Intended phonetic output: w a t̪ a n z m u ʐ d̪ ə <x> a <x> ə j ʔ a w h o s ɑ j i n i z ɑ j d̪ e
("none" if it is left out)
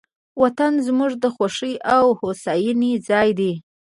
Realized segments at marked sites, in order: x, ʂ

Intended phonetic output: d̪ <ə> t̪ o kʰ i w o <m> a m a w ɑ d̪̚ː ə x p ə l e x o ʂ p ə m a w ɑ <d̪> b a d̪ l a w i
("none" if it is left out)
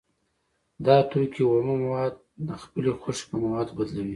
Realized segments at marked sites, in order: ɑ, m, d̪

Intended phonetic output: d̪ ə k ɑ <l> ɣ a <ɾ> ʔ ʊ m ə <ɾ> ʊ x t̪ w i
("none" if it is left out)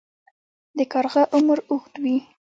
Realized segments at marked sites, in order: ɾ, none, ɾ

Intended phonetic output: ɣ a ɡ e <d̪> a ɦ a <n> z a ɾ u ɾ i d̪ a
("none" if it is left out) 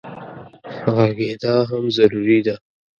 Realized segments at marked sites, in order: d̪, m

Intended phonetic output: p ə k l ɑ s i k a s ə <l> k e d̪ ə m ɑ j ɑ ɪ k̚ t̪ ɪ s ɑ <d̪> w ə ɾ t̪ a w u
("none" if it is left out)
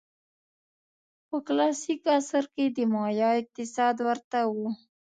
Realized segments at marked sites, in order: ɾ, d̪

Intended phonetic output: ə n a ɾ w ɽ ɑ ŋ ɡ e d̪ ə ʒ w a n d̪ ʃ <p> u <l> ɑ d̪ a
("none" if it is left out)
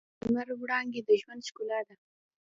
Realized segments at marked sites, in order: k, l

